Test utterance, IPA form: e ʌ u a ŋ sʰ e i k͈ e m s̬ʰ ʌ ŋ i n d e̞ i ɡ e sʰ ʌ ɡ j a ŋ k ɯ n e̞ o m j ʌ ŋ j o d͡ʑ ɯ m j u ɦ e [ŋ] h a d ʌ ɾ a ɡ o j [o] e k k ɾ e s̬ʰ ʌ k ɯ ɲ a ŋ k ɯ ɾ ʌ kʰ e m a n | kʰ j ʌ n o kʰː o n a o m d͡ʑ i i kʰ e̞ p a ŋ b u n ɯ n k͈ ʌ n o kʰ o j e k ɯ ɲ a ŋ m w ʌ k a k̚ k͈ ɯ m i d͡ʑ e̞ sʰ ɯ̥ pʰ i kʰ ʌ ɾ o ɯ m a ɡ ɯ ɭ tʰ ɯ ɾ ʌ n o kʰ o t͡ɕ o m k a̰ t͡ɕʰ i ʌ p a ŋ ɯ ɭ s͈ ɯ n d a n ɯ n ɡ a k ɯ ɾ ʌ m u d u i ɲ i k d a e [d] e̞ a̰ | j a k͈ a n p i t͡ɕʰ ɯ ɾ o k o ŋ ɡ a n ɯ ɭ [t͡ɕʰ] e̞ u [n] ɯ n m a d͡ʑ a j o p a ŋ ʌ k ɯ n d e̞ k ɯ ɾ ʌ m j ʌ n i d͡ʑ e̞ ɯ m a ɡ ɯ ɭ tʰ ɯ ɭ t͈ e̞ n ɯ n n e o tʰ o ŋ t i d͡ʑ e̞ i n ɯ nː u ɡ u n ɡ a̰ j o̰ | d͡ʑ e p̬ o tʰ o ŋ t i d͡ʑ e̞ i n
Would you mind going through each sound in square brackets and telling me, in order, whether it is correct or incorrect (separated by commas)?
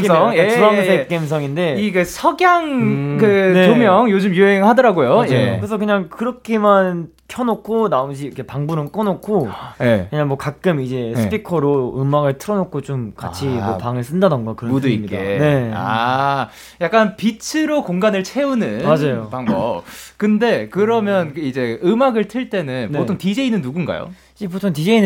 correct, correct, incorrect, correct, correct